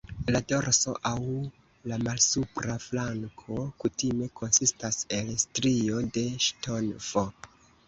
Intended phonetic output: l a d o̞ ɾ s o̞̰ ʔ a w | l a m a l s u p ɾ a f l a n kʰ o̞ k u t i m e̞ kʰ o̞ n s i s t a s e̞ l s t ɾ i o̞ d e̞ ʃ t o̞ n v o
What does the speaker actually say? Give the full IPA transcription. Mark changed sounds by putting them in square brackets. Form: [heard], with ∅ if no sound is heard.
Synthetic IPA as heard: l a d o̞ ɾ s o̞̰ ʔ a w | l a m a l s u p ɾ a f l a [ŋ] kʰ o̞ k u t i m e̞ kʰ o̞ n s i s t a s e̞ l s t ɾ i o̞ d e̞ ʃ t o̞ n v o

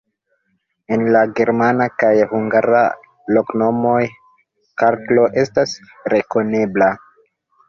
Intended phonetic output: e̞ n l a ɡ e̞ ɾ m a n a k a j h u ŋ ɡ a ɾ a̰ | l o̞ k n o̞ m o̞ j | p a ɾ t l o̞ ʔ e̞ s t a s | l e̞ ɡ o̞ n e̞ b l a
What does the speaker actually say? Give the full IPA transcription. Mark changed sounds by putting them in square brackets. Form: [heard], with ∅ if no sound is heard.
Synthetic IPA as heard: e̞ n l a ɡ e̞ ɾ m a n a k a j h u ŋ ɡ a ɾ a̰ | l o̞ k n o̞ m o̞ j | [k] a ɾ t l o̞ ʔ e̞ s t a s | [ɾ] e̞ [k] o̞ n e̞ b l a

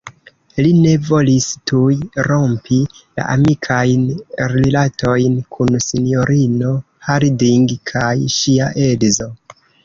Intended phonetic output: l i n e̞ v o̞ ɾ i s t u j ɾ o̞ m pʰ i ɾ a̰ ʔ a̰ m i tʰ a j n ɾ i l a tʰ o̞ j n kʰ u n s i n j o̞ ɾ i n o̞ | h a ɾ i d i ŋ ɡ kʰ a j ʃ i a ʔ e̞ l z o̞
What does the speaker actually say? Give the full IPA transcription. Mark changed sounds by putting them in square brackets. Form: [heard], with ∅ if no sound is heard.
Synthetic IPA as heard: l i n e̞ v o̞ [l] i s t u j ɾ o̞ m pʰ i [l] a̰ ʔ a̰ m i [kʰ] a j n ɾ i l a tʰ o̞ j n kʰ u n s i n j o̞ ɾ i n o̞ | h a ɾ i d i ŋ ɡ kʰ a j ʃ i a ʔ e̞ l z o̞

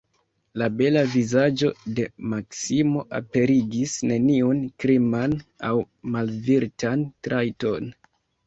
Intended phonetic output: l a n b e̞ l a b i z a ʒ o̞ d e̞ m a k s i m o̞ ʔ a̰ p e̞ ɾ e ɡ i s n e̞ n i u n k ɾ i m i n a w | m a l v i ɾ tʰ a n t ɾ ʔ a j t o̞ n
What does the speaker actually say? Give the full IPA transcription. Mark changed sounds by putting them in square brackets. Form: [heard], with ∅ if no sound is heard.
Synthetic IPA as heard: l a [∅] b e̞ l a [v] i z a [d͡ʒ] o̞ d e̞ m a k s i m o̞ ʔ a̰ p e̞ ɾ [i] ɡ i s n e̞ n i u n k ɾ i m [a] n a w | m a l v i ɾ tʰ a n t ɾ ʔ a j t o̞ n

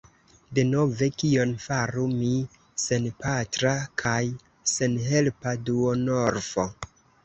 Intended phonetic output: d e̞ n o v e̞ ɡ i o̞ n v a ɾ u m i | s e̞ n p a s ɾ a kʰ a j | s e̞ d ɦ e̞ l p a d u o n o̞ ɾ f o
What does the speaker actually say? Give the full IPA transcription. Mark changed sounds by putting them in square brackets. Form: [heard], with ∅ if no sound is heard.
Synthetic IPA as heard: d e̞ n o v e̞ [k] i o̞ n [f] a ɾ u m i | s e̞ n p a [t] ɾ a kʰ a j | s e̞ [n] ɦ e̞ l p a d u o n o̞ ɾ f o

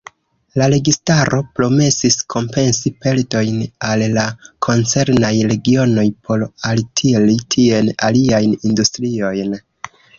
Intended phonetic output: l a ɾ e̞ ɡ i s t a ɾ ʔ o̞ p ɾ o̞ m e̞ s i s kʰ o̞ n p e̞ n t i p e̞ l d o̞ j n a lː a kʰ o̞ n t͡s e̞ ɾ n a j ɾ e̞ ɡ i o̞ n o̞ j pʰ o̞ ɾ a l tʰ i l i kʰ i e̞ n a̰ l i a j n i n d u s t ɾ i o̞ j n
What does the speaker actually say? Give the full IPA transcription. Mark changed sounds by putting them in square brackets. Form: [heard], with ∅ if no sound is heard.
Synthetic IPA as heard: l a ɾ e̞ ɡ i s t a ɾ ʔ o̞ p ɾ o̞ m e̞ s i s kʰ o̞ [m] p e̞ n [s] i p e̞ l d o̞ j n a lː a kʰ o̞ n t͡s e̞ ɾ n a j ɾ e̞ ɡ i o̞ n o̞ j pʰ o̞ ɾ a l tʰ i l i [tʰ] i e̞ n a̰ l i a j n i n d u s t ɾ i o̞ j n

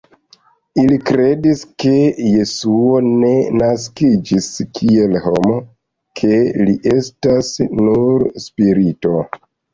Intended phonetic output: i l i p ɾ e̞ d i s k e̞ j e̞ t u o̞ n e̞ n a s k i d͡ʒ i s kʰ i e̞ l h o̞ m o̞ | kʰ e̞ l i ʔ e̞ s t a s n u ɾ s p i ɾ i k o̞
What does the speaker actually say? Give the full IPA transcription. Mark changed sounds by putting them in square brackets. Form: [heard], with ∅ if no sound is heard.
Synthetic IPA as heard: i l i [k] ɾ e̞ d i s k e̞ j e̞ [s] u o̞ n e̞ n a s k i d͡ʒ i s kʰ i e̞ l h o̞ m o̞ | kʰ e̞ l i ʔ e̞ s t a s n u ɾ s p i ɾ i [t] o̞

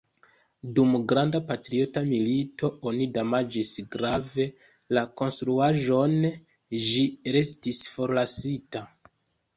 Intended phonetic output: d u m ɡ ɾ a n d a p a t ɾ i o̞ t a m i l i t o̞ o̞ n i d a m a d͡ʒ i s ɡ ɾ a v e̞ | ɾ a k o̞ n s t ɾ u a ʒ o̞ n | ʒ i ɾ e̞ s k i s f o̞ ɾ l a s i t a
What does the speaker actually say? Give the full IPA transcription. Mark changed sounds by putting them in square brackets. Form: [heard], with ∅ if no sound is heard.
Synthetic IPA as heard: d u m ɡ ɾ a n d a p a t ɾ i o̞ t a m i l i t o̞ o̞ n i d a m a d͡ʒ i s ɡ ɾ a v e̞ | [l] a k o̞ n s t ɾ u a ʒ o̞ n | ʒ i ɾ e̞ s [t] i s f o̞ ɾ l a s i t a

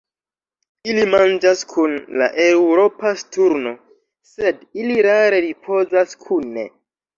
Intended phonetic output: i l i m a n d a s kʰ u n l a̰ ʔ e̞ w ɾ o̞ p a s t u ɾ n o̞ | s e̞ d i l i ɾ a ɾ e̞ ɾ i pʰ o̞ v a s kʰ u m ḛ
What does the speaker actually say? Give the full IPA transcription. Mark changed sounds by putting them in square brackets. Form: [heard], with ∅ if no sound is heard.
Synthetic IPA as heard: i l i m a n [d͡ʒ] a s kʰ u n l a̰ ʔ e̞ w ɾ o̞ p a s t u ɾ n o̞ | s e̞ d i l i ɾ a ɾ e̞ ɾ i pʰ o̞ [z] a s kʰ u [n] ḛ

